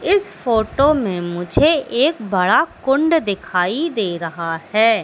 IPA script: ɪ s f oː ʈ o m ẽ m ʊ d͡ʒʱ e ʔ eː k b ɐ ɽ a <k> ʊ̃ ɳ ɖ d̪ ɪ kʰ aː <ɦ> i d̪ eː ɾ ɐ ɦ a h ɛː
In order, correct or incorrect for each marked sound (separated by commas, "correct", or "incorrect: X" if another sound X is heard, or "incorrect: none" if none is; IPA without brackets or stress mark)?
correct, incorrect: none